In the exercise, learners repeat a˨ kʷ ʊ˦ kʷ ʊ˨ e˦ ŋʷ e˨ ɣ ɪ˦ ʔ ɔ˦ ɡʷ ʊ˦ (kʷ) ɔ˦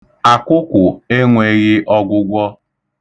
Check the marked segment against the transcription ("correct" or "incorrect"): incorrect